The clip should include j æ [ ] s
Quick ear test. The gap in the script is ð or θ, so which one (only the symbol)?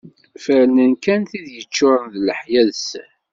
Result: ð